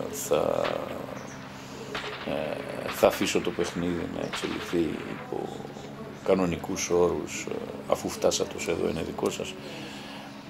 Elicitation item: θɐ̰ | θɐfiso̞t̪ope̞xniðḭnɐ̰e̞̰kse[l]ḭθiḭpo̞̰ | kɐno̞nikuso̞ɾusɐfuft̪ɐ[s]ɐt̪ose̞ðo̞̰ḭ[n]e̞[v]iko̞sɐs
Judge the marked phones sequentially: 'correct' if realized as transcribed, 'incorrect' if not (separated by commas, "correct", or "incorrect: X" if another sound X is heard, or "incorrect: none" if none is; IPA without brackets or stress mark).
correct, correct, correct, incorrect: ð